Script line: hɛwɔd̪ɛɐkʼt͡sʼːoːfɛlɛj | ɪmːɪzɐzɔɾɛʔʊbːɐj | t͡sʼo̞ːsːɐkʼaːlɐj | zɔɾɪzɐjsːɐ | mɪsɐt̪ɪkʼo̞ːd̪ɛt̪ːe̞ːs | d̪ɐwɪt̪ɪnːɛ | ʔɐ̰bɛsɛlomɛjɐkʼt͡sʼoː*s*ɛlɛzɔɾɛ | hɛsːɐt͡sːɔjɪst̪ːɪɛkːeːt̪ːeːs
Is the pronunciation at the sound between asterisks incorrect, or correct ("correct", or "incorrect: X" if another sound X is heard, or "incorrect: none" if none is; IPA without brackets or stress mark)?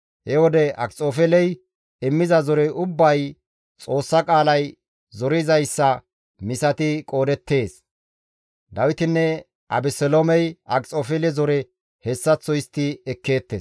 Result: incorrect: f